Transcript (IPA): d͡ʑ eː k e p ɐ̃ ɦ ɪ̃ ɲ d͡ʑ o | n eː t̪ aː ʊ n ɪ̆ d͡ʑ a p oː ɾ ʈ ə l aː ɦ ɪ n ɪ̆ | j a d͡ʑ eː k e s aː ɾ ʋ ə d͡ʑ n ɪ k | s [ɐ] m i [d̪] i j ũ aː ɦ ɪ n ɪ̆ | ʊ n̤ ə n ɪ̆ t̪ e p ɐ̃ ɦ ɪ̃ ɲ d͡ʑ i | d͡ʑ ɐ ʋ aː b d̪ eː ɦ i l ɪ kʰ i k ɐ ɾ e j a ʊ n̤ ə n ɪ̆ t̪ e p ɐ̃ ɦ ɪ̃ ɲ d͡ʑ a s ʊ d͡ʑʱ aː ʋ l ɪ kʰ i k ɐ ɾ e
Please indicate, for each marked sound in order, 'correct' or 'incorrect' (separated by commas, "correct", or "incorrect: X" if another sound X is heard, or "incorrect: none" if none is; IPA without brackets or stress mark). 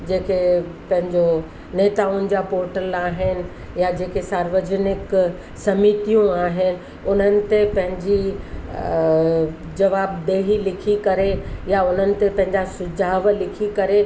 correct, incorrect: t̪